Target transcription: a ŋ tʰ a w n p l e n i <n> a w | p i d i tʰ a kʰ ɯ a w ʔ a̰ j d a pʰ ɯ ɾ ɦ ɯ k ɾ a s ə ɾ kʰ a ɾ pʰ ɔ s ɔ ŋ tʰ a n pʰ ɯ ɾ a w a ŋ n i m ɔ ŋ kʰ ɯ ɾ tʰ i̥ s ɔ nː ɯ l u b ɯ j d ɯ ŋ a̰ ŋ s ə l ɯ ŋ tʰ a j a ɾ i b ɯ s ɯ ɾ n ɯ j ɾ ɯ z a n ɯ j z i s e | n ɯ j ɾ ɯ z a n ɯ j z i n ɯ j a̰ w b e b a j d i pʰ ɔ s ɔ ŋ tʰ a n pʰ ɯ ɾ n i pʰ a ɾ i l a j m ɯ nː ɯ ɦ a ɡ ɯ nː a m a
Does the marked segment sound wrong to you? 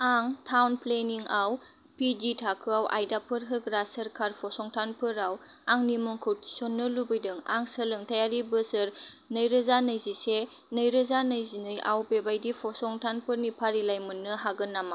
yes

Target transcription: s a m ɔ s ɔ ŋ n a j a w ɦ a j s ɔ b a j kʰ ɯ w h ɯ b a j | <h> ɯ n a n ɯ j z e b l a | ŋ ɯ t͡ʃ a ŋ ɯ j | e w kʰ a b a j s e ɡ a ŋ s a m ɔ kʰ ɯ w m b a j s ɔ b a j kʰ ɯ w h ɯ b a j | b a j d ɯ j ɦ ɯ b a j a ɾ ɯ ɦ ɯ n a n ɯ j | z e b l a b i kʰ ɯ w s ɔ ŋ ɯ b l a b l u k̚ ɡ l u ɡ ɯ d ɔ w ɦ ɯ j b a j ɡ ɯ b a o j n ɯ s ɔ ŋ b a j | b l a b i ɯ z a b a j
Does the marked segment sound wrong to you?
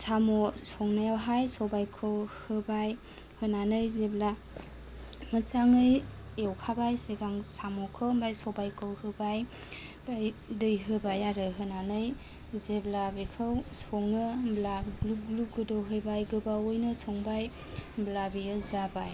no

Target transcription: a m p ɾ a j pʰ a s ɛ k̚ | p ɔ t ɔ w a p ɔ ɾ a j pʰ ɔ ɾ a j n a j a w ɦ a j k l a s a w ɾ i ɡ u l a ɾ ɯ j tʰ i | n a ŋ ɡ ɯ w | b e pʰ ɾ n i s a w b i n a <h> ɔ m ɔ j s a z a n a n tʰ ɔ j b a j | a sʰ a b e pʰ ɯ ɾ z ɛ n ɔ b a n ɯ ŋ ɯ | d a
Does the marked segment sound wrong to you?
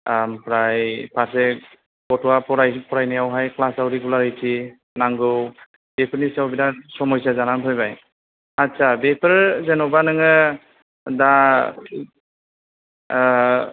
yes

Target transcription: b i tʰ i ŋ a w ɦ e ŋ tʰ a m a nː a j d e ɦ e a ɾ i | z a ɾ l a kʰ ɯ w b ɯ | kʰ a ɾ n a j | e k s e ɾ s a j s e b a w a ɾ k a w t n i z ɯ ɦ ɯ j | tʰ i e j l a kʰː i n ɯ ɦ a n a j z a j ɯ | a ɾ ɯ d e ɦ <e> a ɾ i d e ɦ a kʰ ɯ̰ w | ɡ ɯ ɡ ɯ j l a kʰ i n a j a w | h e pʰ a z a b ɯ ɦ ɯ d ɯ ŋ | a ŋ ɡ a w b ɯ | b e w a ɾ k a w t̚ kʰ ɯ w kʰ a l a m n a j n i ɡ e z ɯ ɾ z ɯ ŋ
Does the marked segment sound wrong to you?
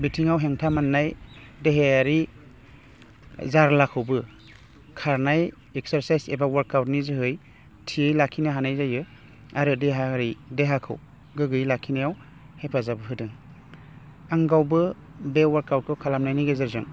yes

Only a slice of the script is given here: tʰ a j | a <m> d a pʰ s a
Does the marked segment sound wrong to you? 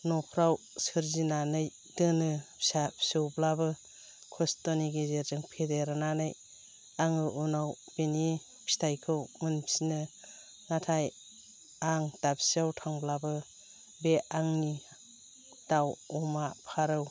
yes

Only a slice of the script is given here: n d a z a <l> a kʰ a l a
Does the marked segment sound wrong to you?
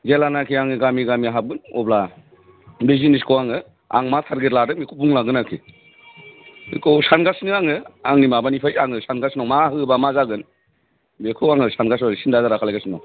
yes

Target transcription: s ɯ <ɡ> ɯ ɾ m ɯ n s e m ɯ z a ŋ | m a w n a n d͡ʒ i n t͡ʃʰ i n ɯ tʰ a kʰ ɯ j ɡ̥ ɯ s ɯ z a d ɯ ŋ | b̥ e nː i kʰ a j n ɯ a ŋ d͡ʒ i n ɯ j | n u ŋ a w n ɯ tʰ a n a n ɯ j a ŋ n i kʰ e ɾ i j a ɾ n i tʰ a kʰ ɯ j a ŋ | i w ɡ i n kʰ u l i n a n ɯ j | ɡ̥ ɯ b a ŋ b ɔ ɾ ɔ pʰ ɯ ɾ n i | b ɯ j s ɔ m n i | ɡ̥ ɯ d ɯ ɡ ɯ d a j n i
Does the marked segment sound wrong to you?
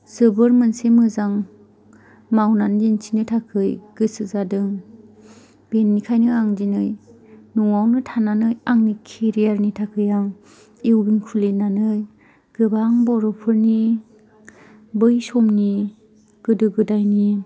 yes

